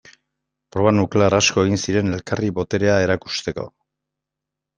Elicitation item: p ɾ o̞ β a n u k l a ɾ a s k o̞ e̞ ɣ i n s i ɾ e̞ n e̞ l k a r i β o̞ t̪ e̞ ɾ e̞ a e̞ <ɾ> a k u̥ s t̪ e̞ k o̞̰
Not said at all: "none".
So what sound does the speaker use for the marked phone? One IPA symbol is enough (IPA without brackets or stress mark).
ɾ